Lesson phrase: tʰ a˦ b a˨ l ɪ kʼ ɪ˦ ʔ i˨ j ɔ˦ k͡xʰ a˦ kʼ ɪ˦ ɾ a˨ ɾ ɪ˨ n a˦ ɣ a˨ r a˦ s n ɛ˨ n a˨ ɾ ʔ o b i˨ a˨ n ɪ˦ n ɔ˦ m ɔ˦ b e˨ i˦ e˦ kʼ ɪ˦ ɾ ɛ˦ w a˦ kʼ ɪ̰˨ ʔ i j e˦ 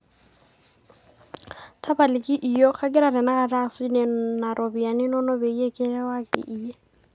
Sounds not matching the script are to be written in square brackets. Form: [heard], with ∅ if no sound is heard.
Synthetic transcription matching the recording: tʰ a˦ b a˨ l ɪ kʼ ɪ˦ ʔ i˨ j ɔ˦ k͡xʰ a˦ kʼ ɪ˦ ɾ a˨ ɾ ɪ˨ n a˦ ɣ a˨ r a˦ s n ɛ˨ n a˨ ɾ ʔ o b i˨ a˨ n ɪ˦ n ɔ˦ [n] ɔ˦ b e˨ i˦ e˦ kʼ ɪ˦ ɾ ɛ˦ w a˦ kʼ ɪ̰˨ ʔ i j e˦

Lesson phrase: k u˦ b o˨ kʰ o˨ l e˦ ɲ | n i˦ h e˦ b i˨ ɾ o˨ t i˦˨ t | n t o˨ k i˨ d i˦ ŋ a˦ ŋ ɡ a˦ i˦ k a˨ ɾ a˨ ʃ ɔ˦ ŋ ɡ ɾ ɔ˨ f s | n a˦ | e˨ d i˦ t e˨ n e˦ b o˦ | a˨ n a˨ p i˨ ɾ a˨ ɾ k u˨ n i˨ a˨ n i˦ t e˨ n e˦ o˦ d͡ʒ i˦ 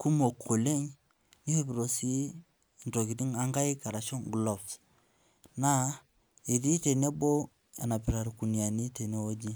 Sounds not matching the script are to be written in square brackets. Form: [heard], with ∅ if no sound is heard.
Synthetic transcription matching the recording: k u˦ [m] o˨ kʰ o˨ l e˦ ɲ | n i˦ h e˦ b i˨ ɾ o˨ [s] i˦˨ [∅] | n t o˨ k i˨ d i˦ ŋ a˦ ŋ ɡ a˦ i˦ k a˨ ɾ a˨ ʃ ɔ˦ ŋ ɡ [l] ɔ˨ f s | n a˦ | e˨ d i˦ t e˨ n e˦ b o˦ | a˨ n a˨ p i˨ ɾ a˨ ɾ k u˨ n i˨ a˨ n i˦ t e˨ n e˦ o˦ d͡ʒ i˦

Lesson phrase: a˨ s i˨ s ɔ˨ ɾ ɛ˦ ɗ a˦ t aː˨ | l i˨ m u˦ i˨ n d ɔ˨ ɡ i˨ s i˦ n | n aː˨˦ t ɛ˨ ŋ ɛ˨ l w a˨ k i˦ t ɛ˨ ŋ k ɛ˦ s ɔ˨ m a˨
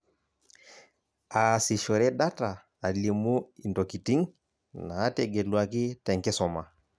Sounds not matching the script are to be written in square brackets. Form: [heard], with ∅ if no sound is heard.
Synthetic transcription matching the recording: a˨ s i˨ [ʃ] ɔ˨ ɾ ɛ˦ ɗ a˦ t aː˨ | l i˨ m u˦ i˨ n d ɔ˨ [k] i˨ [t] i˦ [ŋ] | n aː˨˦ t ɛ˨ [ɡ] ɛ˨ l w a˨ k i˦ t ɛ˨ ŋ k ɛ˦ s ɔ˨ m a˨

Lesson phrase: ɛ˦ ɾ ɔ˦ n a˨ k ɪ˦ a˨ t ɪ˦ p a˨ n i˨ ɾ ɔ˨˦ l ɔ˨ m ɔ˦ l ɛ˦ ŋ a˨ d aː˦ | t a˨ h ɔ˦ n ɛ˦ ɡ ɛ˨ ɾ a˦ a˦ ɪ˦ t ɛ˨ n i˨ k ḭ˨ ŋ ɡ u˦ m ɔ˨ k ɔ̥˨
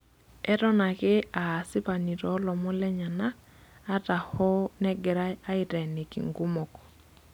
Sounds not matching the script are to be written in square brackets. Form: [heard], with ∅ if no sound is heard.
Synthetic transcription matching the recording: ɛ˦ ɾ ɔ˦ n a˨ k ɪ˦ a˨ [s] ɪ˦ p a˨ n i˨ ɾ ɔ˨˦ l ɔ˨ m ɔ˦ l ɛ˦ [ɲ] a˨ [n] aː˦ | t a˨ h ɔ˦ n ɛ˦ ɡ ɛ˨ ɾ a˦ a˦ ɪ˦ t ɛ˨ n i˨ k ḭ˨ ŋ ɡ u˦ m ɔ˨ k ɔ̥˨

